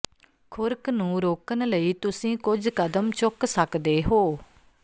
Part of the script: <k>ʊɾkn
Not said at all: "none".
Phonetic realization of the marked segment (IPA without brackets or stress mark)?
kʰ